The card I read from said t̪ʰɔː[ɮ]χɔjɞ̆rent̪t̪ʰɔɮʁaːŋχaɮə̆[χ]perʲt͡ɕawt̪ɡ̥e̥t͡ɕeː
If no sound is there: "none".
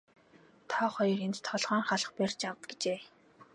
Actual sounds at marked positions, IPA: none, χ

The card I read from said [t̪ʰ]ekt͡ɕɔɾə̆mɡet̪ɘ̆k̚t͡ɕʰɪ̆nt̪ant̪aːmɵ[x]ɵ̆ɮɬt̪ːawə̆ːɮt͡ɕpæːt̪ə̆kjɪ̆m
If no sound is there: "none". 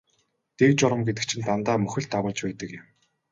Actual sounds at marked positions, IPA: t̪, x

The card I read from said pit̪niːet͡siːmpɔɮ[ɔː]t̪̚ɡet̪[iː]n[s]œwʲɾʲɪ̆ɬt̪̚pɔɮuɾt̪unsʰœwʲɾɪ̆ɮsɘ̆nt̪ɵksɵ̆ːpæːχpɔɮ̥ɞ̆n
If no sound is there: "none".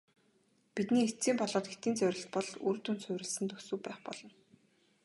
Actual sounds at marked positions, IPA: ɔː, iː, t͡s

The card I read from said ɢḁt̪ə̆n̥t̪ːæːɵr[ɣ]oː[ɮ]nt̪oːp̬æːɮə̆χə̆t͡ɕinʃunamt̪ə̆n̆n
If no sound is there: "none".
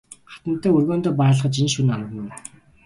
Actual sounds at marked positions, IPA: ɣ, none

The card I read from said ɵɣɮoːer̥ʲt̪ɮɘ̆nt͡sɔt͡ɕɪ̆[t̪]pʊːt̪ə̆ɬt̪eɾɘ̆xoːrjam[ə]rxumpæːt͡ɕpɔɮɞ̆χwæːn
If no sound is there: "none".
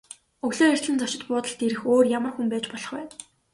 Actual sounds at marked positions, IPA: t̪, ə

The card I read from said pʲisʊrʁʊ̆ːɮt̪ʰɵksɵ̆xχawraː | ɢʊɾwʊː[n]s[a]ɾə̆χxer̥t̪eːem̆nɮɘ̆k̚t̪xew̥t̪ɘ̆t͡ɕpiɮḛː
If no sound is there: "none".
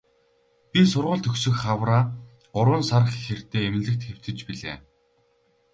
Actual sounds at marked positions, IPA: n, a

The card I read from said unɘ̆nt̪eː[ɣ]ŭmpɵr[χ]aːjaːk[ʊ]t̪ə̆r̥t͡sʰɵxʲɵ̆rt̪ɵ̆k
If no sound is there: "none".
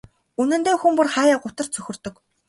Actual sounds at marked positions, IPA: x, χ, ʊ

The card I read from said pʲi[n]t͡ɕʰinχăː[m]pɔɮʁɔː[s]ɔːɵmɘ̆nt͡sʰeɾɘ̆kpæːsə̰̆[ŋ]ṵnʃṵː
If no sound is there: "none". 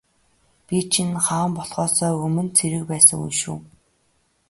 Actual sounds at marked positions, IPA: none, m, s, ŋ

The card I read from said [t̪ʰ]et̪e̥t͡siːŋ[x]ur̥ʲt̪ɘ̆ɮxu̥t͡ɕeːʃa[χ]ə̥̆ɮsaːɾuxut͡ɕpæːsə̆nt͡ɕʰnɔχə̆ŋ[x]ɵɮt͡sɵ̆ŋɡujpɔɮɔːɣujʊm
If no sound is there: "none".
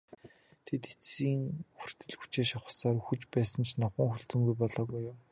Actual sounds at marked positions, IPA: t̪ʰ, x, χ, x

